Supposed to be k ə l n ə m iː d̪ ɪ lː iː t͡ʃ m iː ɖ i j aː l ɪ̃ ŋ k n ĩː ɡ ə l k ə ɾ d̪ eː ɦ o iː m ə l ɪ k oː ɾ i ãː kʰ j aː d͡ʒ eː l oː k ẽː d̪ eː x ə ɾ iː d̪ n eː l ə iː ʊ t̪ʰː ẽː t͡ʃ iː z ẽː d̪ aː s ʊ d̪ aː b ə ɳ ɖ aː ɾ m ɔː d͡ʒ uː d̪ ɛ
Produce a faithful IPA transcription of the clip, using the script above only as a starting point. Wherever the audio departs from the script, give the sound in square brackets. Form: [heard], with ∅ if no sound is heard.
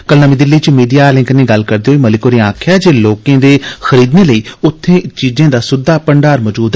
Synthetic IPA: k ə l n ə m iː d̪ ɪ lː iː t͡ʃ m iː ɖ i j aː l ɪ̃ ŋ k n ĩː ɡ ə l k ə ɾ d̪ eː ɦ o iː m ə l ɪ k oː ɾ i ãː kʰ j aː d͡ʒ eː l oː k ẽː d̪ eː x ə ɾ iː d̪ n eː l ə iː ʊ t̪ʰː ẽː t͡ʃ iː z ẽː d̪ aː s ʊ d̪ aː [p] ə ɳ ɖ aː ɾ m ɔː d͡ʒ uː d̪ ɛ